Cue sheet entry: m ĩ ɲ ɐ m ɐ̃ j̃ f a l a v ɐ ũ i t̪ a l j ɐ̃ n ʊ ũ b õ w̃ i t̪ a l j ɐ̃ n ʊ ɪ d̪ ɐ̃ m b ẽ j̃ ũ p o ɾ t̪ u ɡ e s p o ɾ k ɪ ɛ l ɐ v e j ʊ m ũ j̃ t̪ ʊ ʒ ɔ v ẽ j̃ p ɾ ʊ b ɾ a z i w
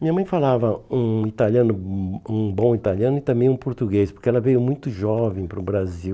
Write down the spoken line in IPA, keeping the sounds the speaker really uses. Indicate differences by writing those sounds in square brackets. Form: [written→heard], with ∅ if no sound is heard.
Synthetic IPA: m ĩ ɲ ɐ m ɐ̃ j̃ f a l a v ɐ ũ i t̪ a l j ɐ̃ n ʊ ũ b õ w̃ i t̪ a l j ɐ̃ n ʊ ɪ [d̪→t̪] ɐ̃ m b ẽ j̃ ũ p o ɾ t̪ u ɡ e s p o ɾ k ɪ ɛ l ɐ v e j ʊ m ũ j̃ t̪ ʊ ʒ ɔ v ẽ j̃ p ɾ ʊ b ɾ a z i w